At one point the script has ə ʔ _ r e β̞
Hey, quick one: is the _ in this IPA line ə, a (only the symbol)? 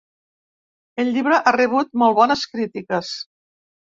a